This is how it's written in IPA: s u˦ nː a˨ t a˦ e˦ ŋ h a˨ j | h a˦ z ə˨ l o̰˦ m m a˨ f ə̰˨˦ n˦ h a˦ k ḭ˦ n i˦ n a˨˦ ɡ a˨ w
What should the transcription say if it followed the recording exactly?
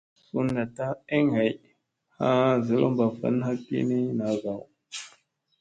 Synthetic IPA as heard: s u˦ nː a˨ t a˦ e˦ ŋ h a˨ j | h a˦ z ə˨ l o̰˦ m b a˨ f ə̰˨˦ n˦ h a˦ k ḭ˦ n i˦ n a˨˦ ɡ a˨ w